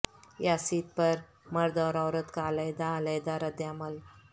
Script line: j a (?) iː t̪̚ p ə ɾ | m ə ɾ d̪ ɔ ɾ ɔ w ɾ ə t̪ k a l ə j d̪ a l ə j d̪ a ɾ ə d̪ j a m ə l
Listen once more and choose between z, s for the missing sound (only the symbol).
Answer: s